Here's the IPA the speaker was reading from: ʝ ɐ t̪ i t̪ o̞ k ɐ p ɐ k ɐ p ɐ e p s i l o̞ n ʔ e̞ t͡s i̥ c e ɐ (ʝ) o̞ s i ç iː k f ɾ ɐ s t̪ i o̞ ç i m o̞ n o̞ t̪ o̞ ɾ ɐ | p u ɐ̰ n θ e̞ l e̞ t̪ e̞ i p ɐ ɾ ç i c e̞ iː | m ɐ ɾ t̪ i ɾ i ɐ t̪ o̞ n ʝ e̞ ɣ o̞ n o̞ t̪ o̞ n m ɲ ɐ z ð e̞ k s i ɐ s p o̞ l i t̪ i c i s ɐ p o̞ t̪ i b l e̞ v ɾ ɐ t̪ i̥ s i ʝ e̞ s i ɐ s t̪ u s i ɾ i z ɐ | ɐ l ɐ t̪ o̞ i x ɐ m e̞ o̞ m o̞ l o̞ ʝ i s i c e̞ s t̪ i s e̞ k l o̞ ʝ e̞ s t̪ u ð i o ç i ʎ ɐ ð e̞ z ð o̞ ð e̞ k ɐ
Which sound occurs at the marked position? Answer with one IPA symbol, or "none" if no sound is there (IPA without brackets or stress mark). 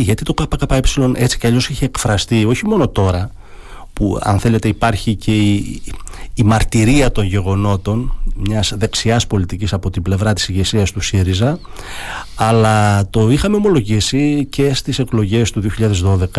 ʎ